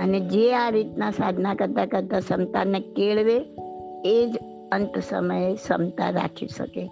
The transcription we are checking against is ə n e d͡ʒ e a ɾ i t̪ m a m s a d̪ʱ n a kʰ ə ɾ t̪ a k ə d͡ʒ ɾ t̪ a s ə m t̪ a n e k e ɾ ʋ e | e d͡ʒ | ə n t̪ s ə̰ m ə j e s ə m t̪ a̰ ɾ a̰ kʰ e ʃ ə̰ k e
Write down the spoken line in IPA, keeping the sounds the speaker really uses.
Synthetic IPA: ə n e d͡ʒ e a ɾ i t̪ n a s a d̪ʱ n a k ə ɾ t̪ a k ə ɾ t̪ a s ə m t̪ a n e k e ɭ ʋ e | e d͡ʒ | ə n t̪ s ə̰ m ə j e s ə m t̪ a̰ ɾ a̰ kʰ i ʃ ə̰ k e